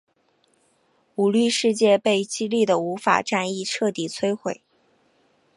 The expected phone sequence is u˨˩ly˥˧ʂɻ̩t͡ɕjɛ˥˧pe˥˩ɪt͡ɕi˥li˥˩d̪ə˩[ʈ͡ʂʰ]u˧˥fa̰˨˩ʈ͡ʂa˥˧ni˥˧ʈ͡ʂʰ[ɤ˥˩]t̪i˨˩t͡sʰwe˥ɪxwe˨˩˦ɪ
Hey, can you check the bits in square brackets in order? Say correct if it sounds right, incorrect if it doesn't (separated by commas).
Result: incorrect, correct